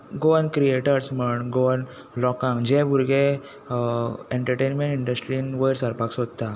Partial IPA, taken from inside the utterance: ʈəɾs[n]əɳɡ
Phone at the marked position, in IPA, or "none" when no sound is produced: m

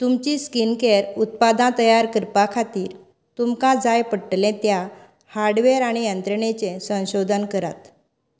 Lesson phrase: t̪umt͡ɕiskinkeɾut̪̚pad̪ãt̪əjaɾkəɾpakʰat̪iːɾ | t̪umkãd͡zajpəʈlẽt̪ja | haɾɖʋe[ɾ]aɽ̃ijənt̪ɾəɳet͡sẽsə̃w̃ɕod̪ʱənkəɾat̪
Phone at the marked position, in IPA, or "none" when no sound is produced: ɾ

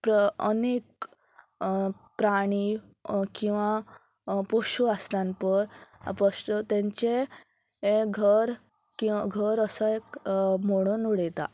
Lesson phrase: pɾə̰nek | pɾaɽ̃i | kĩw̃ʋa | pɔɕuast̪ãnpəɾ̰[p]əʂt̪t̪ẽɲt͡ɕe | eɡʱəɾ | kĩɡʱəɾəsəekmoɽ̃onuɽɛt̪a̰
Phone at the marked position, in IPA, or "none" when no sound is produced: p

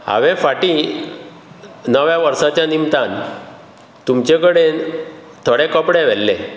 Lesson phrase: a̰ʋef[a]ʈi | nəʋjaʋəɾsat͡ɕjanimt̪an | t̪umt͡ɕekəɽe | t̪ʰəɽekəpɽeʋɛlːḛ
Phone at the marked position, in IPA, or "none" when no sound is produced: a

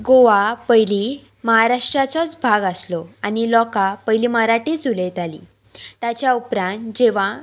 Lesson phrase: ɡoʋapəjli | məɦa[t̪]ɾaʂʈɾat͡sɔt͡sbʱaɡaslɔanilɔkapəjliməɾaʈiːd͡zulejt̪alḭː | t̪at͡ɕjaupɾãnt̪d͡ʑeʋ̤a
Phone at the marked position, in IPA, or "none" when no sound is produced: none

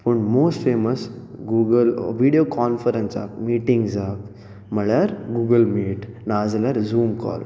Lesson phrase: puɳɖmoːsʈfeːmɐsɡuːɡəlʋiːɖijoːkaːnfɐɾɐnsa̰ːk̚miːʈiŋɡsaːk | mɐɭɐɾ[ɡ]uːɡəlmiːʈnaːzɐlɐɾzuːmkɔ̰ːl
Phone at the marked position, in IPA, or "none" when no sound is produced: ɡ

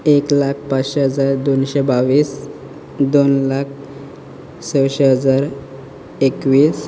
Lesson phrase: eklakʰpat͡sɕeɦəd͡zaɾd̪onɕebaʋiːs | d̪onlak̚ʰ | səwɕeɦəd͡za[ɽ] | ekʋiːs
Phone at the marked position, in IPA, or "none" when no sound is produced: ɾ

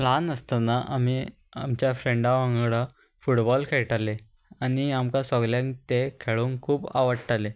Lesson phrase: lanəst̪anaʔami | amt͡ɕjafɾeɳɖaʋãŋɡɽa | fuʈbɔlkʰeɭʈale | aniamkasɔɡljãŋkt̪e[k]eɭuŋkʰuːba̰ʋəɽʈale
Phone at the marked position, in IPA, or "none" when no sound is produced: kʰ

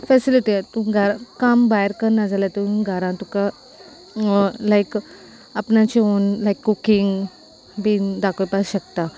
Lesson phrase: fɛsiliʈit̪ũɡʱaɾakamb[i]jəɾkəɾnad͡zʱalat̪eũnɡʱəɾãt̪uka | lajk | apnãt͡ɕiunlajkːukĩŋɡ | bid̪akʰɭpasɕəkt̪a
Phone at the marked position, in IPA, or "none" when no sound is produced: a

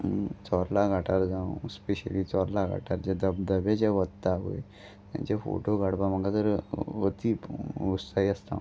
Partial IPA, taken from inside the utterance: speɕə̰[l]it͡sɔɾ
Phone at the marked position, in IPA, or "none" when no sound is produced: l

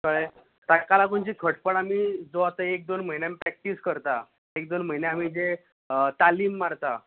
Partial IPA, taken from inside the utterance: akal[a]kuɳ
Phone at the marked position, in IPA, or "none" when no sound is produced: a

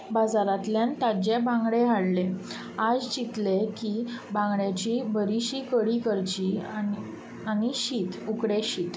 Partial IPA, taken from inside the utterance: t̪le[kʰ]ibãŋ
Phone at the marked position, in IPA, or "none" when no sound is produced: k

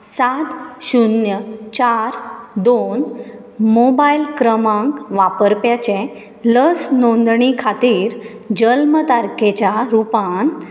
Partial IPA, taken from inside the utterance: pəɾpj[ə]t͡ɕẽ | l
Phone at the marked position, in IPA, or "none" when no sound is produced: a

